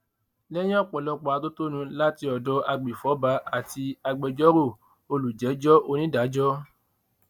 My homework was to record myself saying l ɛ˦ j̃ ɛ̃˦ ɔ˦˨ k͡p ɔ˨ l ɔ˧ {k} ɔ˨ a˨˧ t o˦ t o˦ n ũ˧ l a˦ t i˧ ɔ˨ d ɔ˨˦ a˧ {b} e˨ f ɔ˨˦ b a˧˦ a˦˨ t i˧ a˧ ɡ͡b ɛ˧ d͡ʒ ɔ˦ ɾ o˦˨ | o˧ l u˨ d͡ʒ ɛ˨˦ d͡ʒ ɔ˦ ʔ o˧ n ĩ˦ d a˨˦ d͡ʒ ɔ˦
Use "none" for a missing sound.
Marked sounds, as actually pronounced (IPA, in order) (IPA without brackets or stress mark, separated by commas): k͡p, ɡ͡b